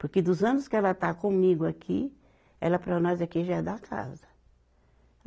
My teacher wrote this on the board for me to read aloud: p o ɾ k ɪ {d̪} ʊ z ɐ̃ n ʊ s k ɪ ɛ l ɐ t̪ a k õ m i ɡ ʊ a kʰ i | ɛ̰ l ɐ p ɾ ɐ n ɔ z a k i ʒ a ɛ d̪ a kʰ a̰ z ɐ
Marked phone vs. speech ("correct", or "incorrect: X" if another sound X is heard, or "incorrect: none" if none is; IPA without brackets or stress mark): correct